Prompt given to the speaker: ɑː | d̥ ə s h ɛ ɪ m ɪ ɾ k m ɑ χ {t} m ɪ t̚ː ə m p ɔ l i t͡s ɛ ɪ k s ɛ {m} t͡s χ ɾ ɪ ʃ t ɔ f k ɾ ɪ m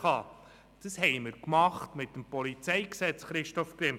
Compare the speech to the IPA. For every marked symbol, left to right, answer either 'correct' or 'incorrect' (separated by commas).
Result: correct, incorrect